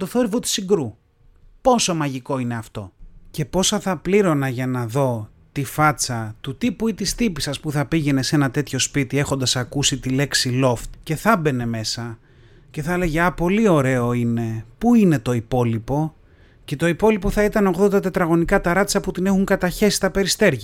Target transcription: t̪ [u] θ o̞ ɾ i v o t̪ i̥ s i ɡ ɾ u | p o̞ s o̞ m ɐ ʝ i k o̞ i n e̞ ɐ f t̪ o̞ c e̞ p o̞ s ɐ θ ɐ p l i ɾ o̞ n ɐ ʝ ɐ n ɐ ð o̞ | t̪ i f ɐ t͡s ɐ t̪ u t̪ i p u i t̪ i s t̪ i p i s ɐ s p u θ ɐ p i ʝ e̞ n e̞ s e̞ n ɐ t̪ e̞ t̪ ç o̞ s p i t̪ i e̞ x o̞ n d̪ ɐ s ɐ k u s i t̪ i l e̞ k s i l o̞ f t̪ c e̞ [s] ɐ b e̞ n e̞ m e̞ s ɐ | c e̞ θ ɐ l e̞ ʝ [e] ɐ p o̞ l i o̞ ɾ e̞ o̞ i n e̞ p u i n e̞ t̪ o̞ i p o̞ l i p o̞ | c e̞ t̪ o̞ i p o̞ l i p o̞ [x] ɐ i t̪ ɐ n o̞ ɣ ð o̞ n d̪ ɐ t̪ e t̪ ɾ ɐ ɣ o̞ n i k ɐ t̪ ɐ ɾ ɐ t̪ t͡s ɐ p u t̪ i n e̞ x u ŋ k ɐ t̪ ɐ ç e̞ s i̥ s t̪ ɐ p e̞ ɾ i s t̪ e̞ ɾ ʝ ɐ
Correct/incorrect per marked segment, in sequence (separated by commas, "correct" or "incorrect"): incorrect, incorrect, correct, incorrect